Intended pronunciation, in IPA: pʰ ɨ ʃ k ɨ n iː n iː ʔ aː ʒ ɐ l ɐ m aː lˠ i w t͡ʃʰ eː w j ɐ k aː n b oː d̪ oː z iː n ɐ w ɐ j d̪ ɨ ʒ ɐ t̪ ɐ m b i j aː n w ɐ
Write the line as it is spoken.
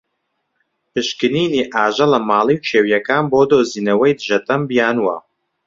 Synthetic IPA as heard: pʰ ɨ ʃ k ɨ n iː n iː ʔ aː ʒ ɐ l ɐ m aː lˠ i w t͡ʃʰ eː w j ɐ k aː n b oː d̪ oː z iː n ɐ w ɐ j d̪ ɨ ʒ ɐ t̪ ɐ m b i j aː n w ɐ